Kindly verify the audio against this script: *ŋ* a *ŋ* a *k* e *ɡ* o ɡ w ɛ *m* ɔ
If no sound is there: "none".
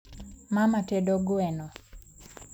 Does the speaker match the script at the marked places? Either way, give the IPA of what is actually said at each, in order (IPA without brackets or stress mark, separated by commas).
m, m, t, d, n